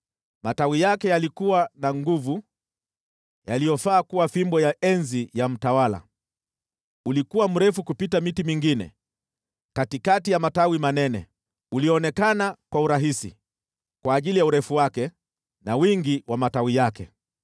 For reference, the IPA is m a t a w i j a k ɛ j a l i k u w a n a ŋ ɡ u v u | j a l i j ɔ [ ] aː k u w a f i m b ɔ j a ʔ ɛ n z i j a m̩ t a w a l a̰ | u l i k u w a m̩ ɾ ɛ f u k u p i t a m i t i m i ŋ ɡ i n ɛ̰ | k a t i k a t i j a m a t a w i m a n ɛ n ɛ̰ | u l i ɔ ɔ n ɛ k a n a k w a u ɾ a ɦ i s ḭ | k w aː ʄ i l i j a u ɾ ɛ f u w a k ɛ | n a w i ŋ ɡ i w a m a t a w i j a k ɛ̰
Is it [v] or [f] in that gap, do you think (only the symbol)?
f